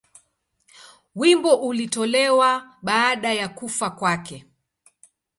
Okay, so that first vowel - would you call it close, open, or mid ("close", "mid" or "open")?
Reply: close